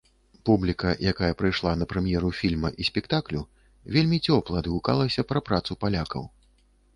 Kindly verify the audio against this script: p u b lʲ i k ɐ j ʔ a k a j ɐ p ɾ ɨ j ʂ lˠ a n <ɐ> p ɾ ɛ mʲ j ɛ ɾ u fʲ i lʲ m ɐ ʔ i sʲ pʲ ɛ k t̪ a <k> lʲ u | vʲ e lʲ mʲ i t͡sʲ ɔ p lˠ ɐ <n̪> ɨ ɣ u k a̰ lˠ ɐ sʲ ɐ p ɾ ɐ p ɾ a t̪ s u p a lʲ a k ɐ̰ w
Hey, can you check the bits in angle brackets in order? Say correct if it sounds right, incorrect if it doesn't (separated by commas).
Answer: correct, correct, incorrect